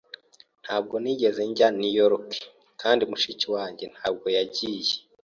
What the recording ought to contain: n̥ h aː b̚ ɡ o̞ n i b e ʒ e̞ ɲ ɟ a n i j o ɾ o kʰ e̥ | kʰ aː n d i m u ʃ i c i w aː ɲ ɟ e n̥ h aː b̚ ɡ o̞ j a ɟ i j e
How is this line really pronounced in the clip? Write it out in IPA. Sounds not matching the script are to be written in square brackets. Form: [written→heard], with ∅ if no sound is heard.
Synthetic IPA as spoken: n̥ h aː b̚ ɡ o̞ n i [b→ɟ] e [ʒ→z] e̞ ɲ ɟ a n i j o ɾ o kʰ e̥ | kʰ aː n d i m u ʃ i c i w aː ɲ ɟ e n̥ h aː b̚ ɡ o̞ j a ɟ i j e